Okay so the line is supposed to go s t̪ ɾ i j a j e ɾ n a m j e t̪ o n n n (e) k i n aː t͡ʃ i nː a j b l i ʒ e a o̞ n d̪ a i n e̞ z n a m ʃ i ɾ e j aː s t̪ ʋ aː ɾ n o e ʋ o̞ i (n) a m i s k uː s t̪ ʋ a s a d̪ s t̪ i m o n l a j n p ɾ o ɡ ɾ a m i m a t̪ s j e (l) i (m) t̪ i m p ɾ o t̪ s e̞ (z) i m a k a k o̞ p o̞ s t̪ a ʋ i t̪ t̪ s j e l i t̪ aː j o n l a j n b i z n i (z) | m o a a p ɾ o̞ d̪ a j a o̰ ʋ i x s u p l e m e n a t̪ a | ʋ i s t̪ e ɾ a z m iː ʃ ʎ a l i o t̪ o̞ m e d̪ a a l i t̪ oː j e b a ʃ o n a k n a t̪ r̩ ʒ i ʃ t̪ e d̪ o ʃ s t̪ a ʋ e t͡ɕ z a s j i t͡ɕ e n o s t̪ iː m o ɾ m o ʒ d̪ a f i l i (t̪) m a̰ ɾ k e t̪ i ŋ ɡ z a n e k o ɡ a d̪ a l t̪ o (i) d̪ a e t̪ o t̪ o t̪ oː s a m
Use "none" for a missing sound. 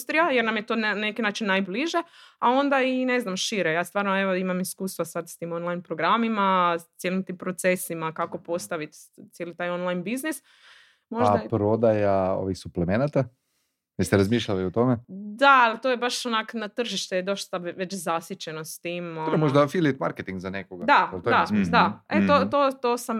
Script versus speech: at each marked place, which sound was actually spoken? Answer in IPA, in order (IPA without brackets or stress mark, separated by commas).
e, m, l, m, s, s, t̪, a